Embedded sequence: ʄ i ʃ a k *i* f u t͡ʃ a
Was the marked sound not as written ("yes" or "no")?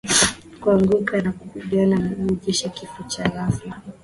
no